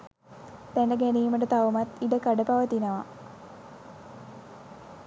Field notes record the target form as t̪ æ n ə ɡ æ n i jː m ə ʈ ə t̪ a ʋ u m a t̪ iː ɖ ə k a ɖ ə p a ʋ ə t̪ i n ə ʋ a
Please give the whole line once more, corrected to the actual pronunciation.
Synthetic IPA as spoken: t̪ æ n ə ɡ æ n i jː m ə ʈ ə t̪ a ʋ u m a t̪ i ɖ ə k a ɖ ə p a ʋ ə t̪ i n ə ʋ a